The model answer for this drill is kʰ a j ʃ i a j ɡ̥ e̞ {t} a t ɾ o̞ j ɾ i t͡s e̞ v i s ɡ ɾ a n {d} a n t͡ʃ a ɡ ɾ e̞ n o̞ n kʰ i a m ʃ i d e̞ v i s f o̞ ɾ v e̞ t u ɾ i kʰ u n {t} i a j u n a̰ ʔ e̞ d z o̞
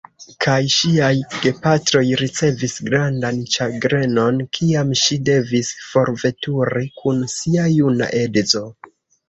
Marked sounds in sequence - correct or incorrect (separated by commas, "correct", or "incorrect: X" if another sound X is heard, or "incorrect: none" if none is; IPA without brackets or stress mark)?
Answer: incorrect: p, correct, incorrect: s